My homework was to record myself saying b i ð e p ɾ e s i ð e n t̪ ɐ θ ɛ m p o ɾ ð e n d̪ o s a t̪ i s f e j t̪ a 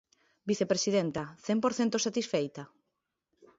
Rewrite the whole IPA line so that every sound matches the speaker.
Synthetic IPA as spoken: b i θ e p ɾ e s i ð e n t̪ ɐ θ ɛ m p o ɾ θ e n t̪ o s a t̪ i s f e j t̪ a